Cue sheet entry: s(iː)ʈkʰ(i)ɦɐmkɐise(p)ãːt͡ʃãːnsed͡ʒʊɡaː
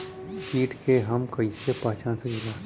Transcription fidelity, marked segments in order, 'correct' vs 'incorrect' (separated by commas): correct, incorrect, correct